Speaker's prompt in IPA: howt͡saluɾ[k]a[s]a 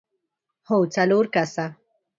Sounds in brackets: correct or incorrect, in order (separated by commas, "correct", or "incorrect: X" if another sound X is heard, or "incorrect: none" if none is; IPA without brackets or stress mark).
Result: correct, correct